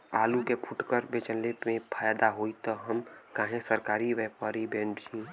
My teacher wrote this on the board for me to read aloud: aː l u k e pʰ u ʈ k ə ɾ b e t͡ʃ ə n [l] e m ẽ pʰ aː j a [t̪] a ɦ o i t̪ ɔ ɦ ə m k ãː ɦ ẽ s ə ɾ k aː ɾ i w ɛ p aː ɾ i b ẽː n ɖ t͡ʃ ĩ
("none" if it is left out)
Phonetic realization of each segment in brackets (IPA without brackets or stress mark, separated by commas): l, d̪